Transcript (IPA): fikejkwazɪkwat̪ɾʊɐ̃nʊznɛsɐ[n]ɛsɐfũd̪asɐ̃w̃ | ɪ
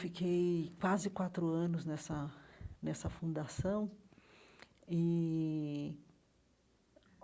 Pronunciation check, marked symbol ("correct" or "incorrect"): correct